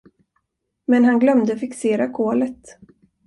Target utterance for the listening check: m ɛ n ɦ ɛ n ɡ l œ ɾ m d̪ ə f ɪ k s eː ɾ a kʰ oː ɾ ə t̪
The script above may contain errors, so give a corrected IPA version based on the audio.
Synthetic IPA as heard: m ɛ n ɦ a n ɡ l œ m d̪ ə f ɪ k s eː ɾ a kʰ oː l ə t̪